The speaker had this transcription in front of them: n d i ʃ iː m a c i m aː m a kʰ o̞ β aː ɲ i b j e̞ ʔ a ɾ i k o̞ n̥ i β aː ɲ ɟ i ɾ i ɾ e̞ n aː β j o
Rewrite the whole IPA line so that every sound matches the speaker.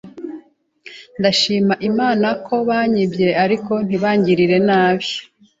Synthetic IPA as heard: n d a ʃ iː m a ʔ i m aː n a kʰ o̞ β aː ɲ i b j e̞ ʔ a ɾ i k o̞ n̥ i β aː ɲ ɟ i ɾ i ɾ e̞ n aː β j o

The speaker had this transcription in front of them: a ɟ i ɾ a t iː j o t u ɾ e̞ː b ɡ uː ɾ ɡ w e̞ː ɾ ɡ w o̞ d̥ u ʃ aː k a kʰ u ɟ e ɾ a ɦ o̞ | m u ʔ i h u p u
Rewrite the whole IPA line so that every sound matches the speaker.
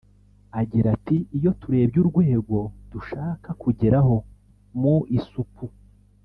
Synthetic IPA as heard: a ɟ i ɾ a t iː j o t u ɾ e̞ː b ɟ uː ɾ ɡ w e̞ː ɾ ɡ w o̞ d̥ u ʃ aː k a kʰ u ɟ e ɾ a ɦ o̞ | m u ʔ i s u p u

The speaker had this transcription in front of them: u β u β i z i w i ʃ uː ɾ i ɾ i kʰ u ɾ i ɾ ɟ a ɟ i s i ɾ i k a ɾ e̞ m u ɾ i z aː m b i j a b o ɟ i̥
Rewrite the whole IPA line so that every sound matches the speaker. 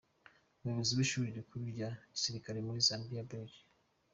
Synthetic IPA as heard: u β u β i z i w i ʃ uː ɾ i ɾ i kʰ u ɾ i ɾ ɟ a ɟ i s i ɾ i k a ɾ e̞ m u ɾ i z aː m b i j a b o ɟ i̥

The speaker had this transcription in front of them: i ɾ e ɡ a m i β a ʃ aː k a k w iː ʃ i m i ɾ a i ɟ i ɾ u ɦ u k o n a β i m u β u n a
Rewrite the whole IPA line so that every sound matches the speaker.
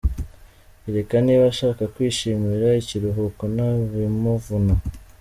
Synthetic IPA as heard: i ɾ e k a n i β a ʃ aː k a k w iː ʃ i m i ɾ a i c i ɾ u ɦ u k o n a β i m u v u n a

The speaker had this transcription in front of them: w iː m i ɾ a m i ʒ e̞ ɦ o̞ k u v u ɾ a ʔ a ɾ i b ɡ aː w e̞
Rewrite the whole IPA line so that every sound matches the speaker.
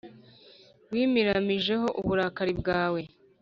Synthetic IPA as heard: w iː m i ɾ a m i ʒ e̞ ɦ o̞ ʔ u β u ɾ a k a ɾ i b ɡ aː w e̞

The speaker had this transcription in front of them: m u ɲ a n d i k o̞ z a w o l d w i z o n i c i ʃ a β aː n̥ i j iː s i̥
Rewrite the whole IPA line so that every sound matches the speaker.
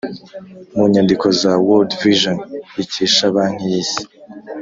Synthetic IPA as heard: m u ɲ a n d i k o̞ z a w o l d v i ʒ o n i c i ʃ a β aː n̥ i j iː s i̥

